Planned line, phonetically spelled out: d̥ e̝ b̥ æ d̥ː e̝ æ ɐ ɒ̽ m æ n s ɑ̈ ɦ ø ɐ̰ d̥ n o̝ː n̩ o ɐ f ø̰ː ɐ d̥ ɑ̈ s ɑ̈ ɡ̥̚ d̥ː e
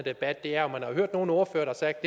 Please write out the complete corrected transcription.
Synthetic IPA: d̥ e̝ b̥ æ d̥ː e̝ æ ɐ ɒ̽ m æ n h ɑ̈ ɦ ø ɐ̰ d̥ n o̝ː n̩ o ɐ f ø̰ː ɐ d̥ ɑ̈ s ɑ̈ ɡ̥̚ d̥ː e

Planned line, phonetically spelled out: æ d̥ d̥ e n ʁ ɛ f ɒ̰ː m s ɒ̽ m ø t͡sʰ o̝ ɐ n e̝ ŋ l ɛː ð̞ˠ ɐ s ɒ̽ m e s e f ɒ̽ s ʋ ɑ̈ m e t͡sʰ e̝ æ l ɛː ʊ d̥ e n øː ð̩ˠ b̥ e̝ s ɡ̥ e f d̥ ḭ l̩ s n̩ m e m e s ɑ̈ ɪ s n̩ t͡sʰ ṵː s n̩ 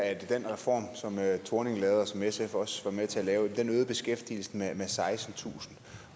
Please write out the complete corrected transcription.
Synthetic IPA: æ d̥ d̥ e n ʁ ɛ f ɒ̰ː m s ɒ̽ m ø t͡sʰ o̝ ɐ n e̝ ŋ l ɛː ð̞ˠ ɐ s ɒ̽ m e s e f ɒ̽ s ʋ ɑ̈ m e t͡sʰ e̝ æ l ɛː ʊ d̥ e n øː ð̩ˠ b̥ e̝ s ɡ̥ e f d̥ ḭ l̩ s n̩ m e m e s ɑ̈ ɪ s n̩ t͡sʰ ṵː s n̩

